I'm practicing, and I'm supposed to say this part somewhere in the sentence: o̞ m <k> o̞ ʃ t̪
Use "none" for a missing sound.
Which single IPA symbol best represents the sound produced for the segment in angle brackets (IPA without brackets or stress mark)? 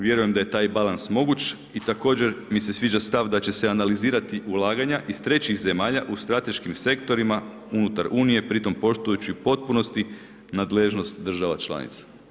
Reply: p